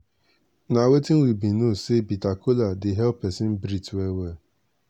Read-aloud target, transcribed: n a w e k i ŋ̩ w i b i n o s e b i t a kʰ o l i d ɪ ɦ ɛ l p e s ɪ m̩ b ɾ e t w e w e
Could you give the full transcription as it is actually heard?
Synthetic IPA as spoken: n a w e t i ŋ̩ w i b i n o s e b i t a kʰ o l a d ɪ ɦ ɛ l p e s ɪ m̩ b ɾ i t w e w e